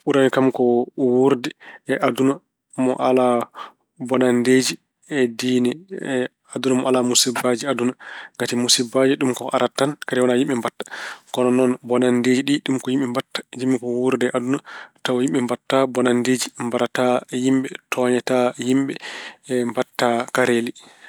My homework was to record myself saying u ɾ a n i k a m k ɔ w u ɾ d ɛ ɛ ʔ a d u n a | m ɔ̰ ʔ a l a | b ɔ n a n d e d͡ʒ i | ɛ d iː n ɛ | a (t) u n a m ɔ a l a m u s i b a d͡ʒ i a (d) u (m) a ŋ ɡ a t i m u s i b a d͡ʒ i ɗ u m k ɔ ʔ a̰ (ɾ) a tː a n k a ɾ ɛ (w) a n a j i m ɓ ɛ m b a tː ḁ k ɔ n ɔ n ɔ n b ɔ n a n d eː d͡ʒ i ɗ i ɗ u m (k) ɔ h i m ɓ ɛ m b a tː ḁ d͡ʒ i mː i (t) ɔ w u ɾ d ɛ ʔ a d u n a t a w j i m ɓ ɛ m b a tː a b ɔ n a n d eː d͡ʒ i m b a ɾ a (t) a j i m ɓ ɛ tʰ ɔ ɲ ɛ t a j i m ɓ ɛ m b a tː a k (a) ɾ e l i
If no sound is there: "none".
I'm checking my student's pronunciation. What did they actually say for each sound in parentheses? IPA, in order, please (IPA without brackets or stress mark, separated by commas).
d, d, n, ɾ, w, k, k, t, a